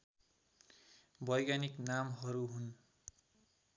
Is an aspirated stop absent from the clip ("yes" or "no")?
yes